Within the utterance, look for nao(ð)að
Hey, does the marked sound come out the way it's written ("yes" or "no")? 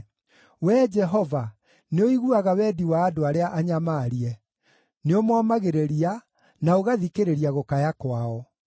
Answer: no